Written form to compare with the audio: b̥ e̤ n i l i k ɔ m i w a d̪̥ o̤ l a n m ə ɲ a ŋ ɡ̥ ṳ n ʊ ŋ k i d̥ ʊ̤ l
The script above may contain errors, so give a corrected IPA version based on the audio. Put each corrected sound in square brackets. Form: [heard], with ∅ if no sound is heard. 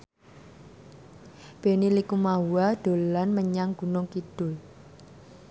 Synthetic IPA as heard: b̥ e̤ n i l i k [u] m [a] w a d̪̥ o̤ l a n m ə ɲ a ŋ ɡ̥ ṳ n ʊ ŋ k i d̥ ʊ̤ l